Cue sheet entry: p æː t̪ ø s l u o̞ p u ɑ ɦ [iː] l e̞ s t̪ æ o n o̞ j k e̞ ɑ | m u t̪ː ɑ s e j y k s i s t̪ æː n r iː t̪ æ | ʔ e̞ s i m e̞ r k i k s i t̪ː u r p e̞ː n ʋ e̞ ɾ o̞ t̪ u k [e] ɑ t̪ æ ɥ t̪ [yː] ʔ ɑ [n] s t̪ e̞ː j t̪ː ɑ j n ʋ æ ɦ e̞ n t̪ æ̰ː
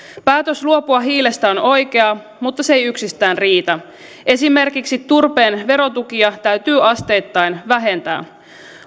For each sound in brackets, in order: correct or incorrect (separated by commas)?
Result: correct, incorrect, correct, incorrect